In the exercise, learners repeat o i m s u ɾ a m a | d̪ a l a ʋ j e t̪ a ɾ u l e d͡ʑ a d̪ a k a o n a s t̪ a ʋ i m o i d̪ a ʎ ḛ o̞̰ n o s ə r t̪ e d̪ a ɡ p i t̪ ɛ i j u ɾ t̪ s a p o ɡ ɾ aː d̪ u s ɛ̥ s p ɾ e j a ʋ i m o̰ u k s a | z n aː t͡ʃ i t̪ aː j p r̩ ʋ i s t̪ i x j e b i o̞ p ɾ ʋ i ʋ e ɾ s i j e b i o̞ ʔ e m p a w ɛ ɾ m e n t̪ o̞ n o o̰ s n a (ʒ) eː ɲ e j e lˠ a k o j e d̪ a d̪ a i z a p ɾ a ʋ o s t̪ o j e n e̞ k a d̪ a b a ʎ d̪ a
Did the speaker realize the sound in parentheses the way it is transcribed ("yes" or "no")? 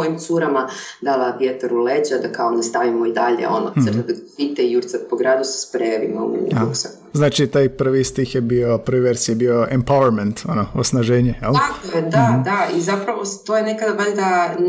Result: yes